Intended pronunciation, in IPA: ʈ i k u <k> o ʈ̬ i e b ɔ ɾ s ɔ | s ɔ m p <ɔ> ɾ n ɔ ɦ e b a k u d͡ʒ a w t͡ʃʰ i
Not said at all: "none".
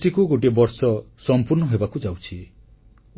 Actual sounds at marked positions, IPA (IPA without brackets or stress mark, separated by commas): ɡ, u